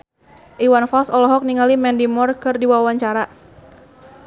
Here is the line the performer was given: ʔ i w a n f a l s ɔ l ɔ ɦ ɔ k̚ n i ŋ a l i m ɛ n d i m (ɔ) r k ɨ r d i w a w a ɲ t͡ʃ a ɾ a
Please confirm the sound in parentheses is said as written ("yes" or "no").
yes